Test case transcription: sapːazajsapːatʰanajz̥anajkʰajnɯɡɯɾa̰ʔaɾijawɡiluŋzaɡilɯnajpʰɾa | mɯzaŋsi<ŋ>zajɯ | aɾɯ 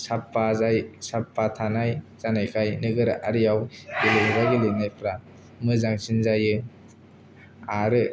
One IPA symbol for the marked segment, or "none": n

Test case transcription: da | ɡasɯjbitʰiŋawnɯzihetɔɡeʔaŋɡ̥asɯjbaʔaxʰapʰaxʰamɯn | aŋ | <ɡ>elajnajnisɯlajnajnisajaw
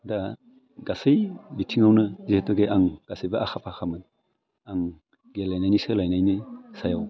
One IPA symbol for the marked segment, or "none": ɡ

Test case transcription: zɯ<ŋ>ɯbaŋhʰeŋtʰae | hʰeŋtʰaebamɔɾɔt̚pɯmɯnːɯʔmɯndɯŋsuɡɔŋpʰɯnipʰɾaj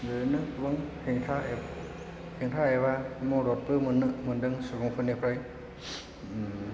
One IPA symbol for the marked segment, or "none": n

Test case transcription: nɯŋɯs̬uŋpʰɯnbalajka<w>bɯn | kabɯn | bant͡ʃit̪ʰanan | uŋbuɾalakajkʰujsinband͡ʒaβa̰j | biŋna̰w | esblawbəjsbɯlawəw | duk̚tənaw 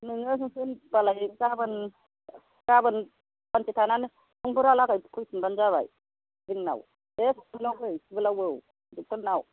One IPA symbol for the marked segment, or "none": none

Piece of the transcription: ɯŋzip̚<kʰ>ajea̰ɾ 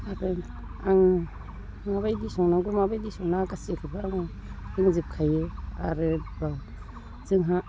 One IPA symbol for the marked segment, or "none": kʰ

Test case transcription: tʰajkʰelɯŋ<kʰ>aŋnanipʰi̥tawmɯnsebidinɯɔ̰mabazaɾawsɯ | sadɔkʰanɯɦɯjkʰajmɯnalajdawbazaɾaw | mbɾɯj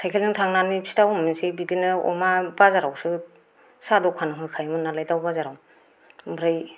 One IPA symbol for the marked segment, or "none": tʰ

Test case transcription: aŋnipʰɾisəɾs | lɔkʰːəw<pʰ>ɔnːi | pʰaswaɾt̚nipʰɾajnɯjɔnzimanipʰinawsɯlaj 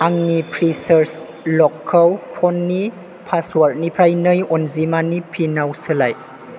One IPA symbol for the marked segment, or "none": pʰ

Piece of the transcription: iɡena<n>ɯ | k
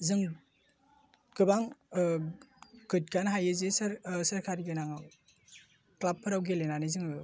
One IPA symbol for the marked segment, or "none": ŋ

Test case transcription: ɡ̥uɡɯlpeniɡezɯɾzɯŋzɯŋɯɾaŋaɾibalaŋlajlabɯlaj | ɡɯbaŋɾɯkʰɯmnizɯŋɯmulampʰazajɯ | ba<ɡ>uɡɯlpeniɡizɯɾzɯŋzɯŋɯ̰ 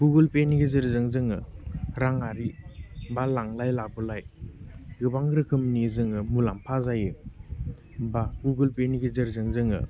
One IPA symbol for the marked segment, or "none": ɡ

